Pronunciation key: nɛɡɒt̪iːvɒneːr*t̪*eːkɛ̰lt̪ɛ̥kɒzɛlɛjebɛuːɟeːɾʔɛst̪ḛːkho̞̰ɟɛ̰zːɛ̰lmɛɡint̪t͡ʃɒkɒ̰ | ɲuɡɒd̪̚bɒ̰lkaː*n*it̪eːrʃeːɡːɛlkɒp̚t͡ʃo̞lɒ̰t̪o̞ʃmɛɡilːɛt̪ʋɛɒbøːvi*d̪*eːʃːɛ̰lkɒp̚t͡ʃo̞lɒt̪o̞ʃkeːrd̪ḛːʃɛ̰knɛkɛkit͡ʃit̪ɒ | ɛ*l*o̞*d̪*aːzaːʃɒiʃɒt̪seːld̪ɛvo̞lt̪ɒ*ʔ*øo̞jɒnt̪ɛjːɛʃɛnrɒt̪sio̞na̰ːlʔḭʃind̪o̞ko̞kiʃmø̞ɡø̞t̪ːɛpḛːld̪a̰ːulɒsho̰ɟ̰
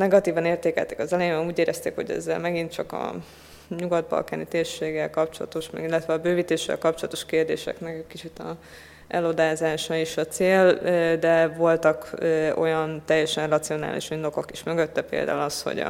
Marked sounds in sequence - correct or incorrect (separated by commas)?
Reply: correct, correct, incorrect, correct, correct, incorrect